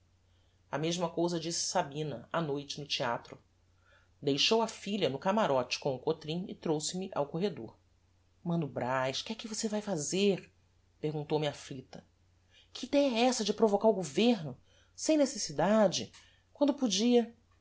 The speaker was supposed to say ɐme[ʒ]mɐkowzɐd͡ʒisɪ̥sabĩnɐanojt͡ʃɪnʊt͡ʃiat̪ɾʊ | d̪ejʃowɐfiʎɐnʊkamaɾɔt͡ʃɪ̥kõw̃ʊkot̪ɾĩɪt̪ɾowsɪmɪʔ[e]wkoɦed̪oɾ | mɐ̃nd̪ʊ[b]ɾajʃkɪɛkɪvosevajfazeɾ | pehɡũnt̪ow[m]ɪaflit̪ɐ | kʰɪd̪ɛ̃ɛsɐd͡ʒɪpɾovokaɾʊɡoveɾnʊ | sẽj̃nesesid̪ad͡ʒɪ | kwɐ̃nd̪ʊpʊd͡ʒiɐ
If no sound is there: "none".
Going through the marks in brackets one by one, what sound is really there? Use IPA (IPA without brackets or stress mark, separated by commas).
ʒ, a, b, m